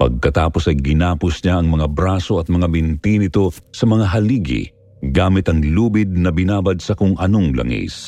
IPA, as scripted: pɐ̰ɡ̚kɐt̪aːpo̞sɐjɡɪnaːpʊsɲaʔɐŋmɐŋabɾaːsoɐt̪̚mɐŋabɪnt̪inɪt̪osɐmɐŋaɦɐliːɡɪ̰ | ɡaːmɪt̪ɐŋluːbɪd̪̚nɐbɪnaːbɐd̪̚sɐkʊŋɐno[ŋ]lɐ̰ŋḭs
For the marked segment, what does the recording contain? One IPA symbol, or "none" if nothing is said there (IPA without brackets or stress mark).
ŋ